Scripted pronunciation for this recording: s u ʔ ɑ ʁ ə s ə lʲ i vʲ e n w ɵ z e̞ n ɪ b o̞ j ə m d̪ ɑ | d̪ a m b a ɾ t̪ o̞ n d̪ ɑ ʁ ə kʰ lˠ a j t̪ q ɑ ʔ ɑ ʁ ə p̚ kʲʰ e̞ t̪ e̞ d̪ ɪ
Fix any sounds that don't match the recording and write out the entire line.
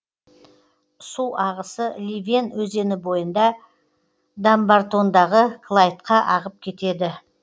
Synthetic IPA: s u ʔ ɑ ʁ ə s ə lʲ i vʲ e n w ɵ z e̞ n ɪ b o̞ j ə n d̪ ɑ | d̪ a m b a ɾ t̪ o̞ n d̪ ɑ ʁ ə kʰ lˠ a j t̪ q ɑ ʔ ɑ ʁ ə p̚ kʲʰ e̞ t̪ e̞ d̪ ɪ